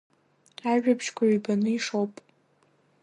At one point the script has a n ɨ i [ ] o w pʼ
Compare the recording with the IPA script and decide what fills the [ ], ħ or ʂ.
ʂ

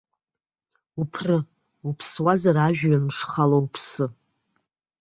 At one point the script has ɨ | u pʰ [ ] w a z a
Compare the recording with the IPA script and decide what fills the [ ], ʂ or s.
s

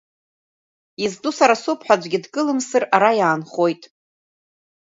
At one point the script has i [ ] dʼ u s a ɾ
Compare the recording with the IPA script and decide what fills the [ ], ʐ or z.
z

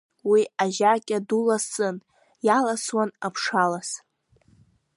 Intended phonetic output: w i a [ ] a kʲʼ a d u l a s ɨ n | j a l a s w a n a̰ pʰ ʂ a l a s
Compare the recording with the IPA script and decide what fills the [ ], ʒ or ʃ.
ʒ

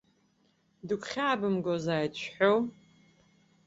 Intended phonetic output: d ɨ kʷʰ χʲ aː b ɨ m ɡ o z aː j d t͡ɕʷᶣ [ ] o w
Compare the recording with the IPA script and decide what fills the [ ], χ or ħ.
ħ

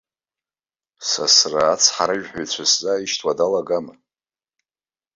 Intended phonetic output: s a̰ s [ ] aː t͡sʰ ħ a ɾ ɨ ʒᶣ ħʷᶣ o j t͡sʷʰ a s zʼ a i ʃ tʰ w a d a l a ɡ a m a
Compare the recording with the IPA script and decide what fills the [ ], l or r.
r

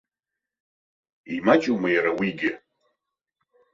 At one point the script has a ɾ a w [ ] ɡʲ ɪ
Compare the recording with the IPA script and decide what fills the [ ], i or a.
i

